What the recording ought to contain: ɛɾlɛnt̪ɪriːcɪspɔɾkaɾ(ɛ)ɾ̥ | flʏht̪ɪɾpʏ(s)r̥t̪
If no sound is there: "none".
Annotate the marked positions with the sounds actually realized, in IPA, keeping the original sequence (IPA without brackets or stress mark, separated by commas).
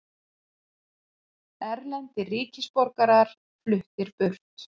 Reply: a, none